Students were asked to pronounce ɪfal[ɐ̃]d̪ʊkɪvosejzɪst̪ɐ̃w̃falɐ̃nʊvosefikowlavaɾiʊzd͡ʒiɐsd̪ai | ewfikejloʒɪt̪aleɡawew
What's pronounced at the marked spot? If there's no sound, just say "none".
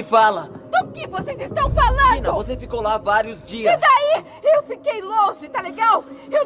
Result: ɐ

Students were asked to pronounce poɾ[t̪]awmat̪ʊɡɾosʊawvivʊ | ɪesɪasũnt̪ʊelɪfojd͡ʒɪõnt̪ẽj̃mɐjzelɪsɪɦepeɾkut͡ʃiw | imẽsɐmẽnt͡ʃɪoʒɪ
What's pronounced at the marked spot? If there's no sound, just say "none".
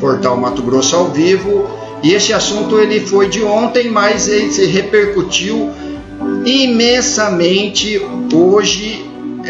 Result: t̪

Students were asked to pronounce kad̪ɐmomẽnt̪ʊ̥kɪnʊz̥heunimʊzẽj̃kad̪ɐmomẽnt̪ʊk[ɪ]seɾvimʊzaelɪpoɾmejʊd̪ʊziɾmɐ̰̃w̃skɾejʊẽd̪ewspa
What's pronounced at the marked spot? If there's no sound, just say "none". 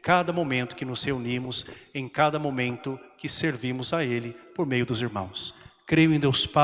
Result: ɪ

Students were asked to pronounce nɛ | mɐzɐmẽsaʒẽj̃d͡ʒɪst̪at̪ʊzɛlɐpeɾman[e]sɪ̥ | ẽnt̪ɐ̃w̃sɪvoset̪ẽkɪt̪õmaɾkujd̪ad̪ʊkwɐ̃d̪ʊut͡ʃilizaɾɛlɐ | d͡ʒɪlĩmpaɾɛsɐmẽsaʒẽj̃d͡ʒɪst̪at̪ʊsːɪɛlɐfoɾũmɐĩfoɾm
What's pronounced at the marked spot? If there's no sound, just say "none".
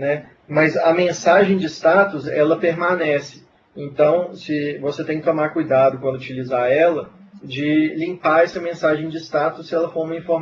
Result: ɛ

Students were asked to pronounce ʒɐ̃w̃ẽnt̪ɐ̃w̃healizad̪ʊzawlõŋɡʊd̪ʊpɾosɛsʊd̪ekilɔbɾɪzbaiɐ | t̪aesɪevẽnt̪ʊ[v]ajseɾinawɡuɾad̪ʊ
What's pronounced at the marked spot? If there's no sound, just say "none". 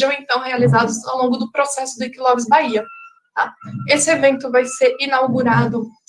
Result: v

